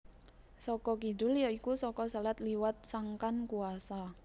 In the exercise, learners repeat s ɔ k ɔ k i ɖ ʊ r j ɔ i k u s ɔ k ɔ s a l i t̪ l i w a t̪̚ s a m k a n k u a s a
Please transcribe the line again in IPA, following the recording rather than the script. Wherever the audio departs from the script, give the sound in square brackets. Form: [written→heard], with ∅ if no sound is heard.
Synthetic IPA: s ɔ k ɔ k i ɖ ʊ [r→l] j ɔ i k u s ɔ k ɔ s a l [i→a] t̪ l i w a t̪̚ s a [m→ŋ] k a n k u a s a